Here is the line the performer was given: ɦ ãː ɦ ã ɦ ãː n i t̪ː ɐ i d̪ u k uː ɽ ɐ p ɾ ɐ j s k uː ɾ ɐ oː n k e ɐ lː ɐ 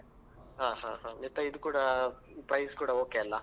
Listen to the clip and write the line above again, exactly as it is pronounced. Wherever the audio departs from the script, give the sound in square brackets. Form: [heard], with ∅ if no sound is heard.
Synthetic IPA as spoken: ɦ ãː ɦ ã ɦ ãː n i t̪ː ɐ i d̪ u k uː ɽ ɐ p ɾ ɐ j s k uː [ɽ] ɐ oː [∅] k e ɐ lː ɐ